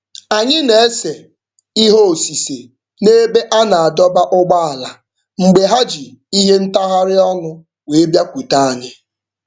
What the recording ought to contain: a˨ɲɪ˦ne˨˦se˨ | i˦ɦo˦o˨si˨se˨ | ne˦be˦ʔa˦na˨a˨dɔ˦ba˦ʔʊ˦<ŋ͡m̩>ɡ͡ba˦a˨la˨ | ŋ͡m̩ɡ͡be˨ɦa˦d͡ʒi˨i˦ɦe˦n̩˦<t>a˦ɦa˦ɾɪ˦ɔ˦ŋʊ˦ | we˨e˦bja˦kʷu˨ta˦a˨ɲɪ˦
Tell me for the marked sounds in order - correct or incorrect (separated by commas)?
incorrect, correct